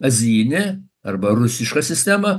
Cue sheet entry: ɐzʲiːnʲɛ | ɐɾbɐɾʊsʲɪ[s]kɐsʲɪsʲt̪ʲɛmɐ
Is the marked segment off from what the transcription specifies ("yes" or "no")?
yes